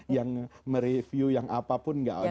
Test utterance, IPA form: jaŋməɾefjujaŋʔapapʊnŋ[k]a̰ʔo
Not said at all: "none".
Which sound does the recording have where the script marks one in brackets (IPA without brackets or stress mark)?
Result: ɡ